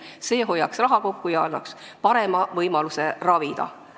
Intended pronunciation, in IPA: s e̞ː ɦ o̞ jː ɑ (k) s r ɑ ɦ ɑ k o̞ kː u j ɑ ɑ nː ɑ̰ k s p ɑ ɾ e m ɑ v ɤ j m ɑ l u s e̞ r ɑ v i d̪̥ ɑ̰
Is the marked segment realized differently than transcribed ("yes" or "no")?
no